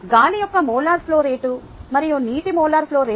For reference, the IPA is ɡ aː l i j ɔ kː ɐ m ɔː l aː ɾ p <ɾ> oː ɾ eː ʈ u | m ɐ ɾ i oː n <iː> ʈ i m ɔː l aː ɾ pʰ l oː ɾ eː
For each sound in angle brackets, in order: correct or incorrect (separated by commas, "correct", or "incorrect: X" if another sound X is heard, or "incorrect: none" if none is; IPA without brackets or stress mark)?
incorrect: l, correct